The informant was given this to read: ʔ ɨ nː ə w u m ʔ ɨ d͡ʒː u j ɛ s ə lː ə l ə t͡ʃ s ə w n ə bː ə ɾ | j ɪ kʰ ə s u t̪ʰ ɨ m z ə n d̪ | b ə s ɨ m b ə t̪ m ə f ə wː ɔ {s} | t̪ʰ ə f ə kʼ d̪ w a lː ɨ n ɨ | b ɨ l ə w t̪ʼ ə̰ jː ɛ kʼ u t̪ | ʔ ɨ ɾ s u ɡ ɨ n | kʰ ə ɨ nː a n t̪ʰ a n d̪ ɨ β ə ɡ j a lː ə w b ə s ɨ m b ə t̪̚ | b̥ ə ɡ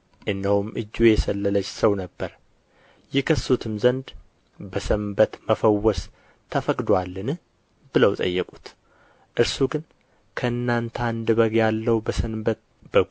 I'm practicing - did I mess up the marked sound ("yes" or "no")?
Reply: no